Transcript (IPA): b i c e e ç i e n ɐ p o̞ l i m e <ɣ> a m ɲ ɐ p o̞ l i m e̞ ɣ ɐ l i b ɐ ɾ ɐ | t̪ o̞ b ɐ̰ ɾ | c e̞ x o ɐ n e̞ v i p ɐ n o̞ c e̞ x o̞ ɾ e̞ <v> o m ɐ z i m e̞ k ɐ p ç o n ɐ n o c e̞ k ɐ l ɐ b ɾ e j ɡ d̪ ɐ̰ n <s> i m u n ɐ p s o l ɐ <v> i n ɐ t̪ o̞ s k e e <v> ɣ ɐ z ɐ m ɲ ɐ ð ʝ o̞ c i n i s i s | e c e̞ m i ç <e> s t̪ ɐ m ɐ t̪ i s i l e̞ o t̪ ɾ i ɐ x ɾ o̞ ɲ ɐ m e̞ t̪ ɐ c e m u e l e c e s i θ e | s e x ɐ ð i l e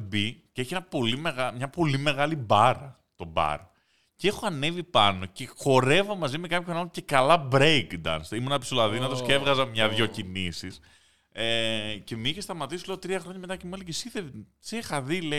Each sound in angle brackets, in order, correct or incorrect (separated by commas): correct, correct, correct, incorrect, correct, correct